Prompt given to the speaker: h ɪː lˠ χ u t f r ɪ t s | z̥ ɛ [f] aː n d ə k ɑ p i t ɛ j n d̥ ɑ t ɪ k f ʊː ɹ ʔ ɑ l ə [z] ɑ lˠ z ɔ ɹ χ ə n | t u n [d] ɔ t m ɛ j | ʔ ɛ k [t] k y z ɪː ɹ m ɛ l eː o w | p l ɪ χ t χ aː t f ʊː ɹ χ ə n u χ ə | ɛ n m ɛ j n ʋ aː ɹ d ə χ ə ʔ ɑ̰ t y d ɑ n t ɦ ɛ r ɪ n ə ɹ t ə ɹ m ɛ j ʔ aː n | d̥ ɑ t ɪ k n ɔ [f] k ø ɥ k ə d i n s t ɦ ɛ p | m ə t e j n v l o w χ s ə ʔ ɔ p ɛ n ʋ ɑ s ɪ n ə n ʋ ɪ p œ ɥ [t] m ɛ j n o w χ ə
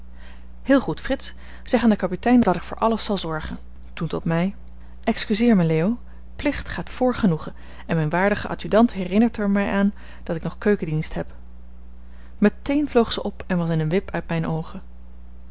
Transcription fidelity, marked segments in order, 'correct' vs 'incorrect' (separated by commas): incorrect, incorrect, incorrect, incorrect, incorrect, correct